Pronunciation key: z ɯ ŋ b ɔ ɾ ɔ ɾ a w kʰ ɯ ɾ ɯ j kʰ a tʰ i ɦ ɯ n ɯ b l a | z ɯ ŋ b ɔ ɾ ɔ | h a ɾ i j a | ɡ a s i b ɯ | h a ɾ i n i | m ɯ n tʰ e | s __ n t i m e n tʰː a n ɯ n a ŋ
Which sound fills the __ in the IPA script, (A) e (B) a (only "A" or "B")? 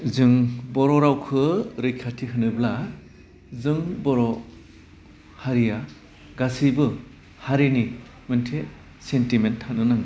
A